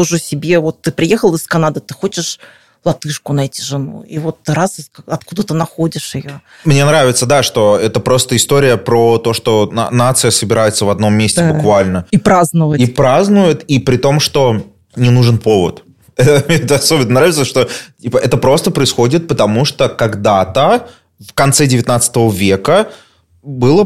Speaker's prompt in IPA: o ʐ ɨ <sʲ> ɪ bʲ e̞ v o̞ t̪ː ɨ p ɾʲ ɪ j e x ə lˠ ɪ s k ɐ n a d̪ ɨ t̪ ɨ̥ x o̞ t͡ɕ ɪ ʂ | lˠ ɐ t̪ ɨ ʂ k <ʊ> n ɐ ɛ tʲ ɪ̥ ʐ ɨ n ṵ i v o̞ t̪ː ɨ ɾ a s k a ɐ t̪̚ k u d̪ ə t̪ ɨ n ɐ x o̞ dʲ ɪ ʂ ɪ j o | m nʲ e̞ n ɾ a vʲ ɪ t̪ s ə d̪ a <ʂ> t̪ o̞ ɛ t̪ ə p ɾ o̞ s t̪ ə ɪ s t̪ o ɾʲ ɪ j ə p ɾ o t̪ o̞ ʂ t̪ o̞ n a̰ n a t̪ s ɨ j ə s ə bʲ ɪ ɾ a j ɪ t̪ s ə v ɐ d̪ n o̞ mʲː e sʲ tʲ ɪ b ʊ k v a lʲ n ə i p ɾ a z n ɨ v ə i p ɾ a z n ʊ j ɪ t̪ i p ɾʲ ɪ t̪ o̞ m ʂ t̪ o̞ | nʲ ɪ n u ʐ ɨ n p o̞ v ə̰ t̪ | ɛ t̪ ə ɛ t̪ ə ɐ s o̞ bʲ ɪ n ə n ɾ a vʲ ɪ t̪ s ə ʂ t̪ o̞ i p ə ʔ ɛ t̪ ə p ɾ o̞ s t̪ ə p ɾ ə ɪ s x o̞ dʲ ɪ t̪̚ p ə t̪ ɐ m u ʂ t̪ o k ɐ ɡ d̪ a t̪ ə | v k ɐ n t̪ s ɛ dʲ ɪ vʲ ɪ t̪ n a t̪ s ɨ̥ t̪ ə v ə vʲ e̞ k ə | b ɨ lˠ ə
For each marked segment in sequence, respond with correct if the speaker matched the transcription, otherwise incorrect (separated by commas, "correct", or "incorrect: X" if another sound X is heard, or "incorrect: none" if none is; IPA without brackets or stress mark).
correct, correct, correct